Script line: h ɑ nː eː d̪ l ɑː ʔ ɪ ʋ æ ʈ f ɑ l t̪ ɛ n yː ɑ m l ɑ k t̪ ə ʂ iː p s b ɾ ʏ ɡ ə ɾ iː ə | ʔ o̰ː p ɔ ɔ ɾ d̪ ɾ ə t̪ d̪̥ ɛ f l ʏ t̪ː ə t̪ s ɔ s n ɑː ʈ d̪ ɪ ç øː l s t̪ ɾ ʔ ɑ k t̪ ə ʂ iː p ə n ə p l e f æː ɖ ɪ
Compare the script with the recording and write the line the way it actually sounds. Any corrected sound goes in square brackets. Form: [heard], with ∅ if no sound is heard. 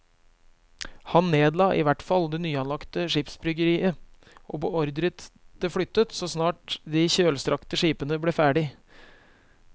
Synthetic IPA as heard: h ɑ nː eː d̪ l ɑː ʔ ɪ ʋ æ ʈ f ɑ l [d̪] ɛ n yː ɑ [n] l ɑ k t̪ ə ʂ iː p s b ɾ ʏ ɡ ə ɾ iː ə | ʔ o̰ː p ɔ ɔ ɾ d̪ ɾ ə t̪ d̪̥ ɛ f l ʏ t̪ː ə t̪ s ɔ s n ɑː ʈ d̪ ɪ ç øː l s t̪ ɾ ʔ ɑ k t̪ ə ʂ iː p ə n ə [b] l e f æː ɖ ɪ